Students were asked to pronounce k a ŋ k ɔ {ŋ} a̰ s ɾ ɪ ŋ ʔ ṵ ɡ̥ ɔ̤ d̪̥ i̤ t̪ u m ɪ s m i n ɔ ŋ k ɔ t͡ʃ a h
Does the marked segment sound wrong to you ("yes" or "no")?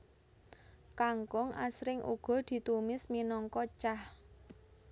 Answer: no